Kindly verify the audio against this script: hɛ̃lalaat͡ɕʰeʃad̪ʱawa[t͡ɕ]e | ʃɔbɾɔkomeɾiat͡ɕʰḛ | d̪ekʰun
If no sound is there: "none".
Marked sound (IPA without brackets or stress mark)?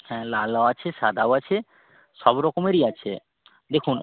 t͡ɕʰ